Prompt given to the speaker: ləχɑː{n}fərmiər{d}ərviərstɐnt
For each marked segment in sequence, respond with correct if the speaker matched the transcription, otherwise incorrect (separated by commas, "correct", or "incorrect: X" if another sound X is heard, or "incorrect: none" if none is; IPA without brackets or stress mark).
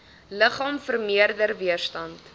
incorrect: m, correct